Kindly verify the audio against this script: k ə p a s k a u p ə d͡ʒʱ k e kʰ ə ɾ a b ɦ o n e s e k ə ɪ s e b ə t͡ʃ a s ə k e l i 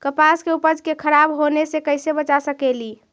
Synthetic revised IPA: k ə p a s k e u p ə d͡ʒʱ k e kʰ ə ɾ a b ɦ o n e s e k ə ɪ s e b ə t͡ʃ a s ə k e l i